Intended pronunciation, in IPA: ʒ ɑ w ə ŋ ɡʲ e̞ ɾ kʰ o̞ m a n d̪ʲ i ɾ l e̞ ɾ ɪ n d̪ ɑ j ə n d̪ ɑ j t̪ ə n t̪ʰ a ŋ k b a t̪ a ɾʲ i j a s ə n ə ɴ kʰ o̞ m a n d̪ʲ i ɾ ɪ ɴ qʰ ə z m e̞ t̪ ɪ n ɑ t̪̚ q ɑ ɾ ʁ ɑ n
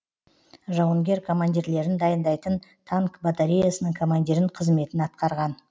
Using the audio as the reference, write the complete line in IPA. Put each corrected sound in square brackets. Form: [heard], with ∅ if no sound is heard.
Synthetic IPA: ʒ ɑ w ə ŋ ɡʲ e̞ ɾ kʰ o̞ m a n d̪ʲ i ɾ l e̞ ɾ ɪ n d̪ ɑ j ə n d̪ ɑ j t̪ ə n t̪ʰ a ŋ k b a t̪ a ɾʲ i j a s ə n ə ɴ kʰ o̞ m a n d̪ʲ i ɾ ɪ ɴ qʰ ə z m e̞ t̪ ɪ n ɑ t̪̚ q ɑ ɾ ʁ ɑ n